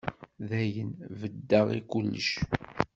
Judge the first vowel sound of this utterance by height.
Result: low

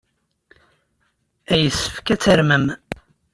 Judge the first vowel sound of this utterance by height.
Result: low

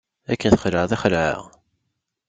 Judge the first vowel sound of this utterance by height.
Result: low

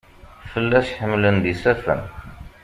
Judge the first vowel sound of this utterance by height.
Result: mid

